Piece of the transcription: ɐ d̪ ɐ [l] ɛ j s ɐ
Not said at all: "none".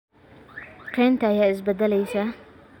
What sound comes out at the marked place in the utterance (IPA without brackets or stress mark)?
l